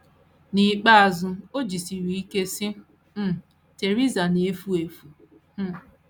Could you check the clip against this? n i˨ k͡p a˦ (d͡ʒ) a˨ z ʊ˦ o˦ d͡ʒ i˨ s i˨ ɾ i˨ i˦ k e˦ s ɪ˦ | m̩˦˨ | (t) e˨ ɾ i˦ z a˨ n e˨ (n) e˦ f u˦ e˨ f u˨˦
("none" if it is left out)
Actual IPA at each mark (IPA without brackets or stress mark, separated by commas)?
none, t, none